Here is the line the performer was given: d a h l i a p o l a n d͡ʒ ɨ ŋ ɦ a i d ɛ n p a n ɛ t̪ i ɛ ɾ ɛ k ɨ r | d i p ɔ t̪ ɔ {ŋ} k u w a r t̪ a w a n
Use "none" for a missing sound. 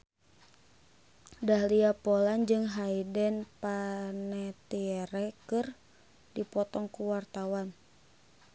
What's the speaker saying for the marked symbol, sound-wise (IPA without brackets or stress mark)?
ŋ